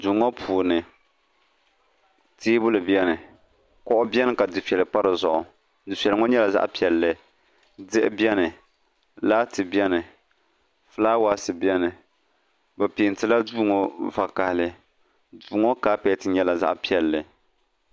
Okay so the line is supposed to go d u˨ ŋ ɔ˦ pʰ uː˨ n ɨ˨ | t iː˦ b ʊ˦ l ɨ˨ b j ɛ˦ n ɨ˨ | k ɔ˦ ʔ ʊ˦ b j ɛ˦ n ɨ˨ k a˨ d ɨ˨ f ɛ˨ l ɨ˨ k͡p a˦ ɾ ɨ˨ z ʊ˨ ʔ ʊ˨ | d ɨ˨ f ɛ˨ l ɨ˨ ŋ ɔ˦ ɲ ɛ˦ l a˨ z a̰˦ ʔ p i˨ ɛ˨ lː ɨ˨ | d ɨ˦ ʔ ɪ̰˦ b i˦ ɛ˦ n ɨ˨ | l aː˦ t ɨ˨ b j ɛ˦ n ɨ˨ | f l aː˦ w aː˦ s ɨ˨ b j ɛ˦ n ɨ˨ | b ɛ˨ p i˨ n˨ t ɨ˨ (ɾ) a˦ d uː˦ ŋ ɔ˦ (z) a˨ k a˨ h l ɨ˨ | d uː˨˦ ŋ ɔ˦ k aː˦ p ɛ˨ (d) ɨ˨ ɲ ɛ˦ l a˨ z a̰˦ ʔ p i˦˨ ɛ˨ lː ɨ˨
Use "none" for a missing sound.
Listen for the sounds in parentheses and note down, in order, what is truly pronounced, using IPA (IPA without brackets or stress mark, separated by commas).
l, v, t